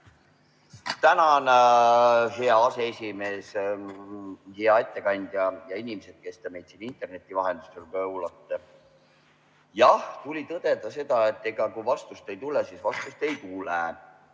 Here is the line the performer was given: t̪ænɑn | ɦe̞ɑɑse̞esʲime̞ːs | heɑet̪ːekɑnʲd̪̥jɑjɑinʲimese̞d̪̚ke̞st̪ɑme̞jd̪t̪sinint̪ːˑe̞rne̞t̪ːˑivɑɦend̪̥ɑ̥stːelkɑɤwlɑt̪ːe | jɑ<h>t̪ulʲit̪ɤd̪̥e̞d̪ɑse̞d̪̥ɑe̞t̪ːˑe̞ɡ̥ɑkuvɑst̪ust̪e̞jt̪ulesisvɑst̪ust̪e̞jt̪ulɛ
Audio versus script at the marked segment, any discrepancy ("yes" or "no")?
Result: no